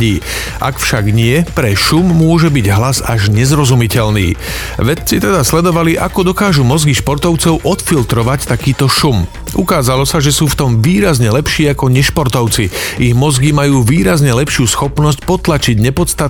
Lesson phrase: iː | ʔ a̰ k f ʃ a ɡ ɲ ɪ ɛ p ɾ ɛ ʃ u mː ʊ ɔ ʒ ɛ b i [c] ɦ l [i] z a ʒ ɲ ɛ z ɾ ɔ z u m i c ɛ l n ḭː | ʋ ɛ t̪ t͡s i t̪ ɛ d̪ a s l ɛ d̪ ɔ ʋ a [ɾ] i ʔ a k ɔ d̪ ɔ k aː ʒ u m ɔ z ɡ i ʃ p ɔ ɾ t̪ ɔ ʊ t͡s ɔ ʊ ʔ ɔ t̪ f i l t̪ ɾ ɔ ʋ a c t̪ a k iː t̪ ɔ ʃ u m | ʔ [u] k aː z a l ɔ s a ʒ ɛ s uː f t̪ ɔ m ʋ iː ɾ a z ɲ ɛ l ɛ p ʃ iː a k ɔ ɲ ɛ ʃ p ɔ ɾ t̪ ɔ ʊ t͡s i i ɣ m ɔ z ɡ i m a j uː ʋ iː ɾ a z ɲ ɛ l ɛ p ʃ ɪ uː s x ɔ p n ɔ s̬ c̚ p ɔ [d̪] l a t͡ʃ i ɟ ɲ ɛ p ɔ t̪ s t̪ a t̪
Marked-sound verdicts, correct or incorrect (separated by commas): incorrect, incorrect, incorrect, correct, incorrect